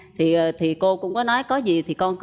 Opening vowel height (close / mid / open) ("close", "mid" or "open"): close